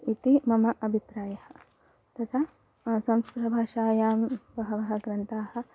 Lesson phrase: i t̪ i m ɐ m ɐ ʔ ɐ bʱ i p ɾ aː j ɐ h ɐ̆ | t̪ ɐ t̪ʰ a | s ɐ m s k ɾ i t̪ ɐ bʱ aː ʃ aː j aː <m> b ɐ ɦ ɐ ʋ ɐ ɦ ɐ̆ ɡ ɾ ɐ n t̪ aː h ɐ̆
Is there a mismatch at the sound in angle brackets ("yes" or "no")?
no